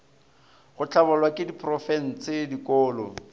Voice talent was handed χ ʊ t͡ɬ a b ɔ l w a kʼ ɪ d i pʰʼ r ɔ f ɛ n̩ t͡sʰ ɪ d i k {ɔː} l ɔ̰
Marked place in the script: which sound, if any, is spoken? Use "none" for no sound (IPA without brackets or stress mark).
ɔː